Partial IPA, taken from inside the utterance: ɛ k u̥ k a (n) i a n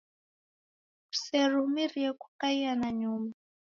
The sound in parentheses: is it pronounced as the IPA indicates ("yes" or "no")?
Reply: no